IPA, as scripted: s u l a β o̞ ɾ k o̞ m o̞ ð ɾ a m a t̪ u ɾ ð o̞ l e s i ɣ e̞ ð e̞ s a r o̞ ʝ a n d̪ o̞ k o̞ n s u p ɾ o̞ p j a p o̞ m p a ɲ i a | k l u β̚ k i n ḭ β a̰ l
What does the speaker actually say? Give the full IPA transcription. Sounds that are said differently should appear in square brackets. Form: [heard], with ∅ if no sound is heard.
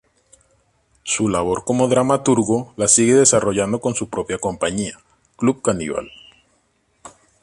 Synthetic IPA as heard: s u l a β o̞ ɾ k o̞ m o̞ ð ɾ a m a t̪ u ɾ [ɣ] o̞ l [a] s i ɣ e̞ ð e̞ s a r o̞ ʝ a n d̪ o̞ k o̞ n s u p ɾ o̞ p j a [k] o̞ m p a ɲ i a | k l u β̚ k [a] n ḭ β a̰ l